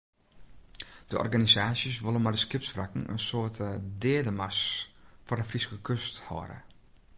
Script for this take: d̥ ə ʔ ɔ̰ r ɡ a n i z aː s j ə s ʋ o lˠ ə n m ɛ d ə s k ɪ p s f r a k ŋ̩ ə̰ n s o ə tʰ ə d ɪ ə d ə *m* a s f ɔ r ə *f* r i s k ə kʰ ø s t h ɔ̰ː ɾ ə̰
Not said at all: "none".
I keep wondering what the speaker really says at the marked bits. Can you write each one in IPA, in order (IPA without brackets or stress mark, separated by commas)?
m, f